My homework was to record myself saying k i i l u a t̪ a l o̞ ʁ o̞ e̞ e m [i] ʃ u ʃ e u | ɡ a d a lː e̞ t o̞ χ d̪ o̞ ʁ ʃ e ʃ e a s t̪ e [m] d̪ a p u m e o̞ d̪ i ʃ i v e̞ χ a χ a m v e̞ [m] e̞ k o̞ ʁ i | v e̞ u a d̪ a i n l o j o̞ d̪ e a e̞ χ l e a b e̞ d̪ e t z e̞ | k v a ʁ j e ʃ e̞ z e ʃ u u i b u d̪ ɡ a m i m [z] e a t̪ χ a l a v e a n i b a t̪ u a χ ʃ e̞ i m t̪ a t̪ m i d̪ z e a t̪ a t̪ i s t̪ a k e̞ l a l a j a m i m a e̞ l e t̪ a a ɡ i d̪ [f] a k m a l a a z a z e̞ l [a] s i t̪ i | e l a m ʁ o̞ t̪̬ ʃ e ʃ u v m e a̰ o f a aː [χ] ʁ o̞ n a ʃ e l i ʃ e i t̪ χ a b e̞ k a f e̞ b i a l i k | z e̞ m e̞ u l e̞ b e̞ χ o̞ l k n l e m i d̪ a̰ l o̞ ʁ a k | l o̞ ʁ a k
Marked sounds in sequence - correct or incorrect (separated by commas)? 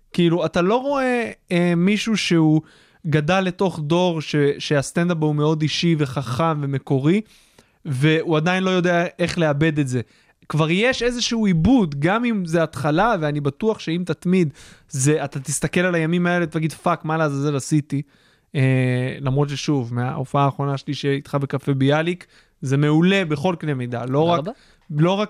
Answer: correct, incorrect, correct, correct, correct, correct, correct